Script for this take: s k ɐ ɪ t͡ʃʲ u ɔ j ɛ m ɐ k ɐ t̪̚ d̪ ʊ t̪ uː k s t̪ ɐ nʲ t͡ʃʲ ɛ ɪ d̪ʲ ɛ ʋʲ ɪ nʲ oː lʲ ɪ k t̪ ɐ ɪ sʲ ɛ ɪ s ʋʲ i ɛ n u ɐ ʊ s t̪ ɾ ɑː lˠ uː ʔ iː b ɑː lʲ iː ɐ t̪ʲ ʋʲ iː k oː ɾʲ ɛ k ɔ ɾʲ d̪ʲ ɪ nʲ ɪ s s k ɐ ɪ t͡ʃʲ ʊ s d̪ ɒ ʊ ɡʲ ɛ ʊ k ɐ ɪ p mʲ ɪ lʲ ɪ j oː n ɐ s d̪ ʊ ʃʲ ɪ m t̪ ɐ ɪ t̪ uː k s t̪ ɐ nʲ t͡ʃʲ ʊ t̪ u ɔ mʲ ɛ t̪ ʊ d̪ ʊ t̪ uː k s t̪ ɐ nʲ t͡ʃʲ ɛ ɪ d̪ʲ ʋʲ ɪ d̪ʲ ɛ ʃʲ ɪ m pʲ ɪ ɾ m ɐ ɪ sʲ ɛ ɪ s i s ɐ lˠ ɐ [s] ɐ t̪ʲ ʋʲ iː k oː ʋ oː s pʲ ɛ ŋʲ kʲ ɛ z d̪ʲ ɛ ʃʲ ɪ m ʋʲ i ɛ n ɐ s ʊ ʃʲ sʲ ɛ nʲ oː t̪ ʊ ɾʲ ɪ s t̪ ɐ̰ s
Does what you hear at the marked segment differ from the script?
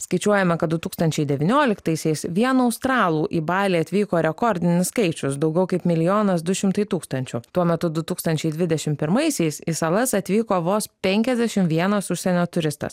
no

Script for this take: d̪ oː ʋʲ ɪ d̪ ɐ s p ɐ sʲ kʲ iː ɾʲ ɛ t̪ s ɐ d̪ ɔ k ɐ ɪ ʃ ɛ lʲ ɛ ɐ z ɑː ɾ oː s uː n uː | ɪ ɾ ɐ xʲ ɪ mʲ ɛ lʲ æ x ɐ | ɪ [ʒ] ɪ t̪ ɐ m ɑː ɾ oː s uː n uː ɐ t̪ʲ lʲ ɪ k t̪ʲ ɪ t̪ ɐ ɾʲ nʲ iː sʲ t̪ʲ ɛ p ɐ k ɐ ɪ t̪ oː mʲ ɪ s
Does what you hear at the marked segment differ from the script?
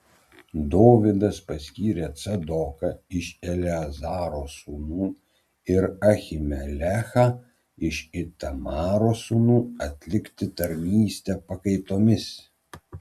yes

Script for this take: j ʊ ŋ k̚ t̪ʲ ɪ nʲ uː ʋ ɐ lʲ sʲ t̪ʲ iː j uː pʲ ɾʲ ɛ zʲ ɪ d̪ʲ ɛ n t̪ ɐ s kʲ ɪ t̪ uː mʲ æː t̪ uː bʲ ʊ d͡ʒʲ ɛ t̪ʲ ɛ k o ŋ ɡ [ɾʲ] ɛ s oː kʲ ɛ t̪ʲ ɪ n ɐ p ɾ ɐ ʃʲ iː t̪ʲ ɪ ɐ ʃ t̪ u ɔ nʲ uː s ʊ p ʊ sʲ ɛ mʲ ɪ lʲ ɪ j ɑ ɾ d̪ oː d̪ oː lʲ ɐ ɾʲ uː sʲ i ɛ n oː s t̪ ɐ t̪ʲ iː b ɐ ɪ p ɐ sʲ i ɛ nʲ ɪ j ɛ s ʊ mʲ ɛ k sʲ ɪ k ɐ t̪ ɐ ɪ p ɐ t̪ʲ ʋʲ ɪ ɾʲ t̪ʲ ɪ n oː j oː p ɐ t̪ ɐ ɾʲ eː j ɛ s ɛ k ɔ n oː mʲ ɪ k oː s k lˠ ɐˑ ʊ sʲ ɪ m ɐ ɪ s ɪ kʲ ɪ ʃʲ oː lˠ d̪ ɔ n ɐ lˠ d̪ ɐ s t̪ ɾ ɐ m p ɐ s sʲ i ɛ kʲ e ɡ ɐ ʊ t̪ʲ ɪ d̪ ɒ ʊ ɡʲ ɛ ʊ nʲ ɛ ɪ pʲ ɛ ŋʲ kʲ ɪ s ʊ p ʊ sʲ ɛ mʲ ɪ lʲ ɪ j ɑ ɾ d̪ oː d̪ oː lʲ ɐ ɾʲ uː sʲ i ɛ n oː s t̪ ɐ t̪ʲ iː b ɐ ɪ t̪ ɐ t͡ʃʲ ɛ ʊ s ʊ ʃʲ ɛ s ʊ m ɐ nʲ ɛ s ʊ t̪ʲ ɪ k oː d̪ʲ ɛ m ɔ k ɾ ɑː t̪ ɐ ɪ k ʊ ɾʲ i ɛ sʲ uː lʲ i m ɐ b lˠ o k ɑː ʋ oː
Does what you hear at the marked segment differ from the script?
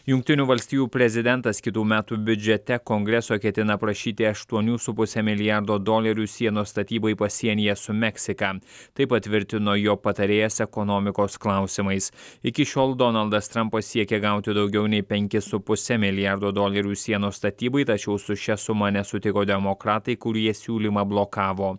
no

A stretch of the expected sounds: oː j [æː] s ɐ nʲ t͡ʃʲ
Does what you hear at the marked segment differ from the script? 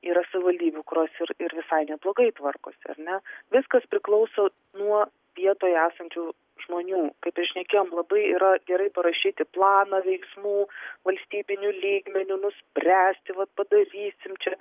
no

